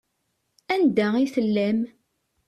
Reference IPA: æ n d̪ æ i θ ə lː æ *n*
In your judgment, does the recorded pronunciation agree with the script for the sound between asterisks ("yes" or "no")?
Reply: no